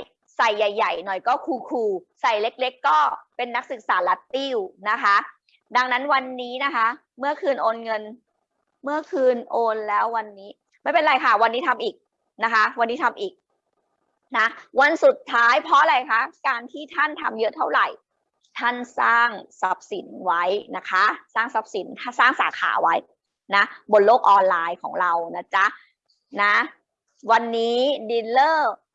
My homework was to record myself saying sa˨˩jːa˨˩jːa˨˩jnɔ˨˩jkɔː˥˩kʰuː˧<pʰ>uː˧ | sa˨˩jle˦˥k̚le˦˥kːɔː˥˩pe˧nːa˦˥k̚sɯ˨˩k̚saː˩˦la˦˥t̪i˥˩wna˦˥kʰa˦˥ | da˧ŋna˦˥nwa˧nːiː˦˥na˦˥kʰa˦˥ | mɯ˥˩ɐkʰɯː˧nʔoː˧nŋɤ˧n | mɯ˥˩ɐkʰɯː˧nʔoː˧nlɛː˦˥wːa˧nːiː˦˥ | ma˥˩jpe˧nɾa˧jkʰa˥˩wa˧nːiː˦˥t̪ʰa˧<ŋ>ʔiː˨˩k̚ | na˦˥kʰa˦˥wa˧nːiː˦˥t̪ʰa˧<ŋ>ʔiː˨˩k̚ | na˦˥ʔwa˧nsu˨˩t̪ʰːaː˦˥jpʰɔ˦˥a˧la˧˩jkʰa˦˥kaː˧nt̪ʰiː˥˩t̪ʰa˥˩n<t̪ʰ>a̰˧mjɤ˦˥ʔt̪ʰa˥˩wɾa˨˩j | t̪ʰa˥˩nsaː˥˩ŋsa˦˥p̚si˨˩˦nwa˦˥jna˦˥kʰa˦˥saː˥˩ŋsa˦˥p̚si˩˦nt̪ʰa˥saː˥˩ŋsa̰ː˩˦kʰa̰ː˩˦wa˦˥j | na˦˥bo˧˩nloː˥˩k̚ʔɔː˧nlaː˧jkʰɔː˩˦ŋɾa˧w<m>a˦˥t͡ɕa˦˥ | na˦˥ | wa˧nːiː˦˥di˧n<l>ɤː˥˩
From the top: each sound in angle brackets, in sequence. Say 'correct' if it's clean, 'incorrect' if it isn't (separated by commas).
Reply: incorrect, incorrect, incorrect, correct, incorrect, correct